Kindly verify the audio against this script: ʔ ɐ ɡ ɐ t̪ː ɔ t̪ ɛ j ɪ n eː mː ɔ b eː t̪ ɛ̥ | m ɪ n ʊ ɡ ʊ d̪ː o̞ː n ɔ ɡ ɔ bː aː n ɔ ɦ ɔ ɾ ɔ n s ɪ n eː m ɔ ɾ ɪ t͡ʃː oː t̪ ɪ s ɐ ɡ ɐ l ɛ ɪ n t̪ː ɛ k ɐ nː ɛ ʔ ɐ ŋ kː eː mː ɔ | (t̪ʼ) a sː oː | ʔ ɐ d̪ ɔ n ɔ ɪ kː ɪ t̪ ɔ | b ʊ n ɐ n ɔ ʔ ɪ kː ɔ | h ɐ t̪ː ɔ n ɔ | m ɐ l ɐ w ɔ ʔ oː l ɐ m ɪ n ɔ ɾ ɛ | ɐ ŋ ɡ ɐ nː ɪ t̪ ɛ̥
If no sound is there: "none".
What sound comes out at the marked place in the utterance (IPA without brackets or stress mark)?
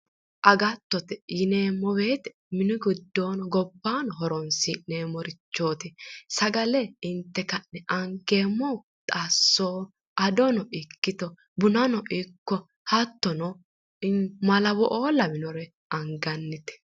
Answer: t̪ʼ